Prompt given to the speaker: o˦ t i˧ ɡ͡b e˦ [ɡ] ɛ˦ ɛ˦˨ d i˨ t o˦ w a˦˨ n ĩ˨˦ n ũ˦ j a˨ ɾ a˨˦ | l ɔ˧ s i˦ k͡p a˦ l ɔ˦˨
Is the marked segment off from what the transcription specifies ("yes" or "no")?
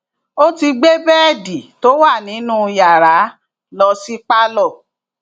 yes